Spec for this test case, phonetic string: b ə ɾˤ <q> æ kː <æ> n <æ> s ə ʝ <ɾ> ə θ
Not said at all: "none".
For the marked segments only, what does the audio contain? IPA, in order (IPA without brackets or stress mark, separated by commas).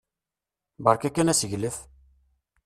k, æ, æ, l